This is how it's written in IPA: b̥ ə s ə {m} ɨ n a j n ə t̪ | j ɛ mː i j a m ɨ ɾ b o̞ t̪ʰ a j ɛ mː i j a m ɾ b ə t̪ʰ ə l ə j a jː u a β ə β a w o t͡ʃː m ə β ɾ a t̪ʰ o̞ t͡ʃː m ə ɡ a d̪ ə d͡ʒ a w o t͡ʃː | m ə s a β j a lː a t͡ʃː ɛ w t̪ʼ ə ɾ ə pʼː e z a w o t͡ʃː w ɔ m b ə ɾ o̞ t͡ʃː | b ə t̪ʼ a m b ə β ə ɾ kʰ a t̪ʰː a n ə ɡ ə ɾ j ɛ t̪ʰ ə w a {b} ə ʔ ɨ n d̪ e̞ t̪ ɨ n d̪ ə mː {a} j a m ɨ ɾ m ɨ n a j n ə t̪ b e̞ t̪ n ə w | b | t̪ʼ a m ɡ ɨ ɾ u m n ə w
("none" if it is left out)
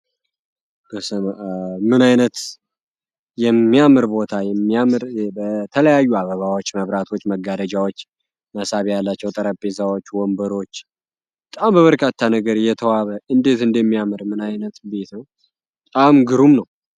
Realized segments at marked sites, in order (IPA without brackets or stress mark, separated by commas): m, β, i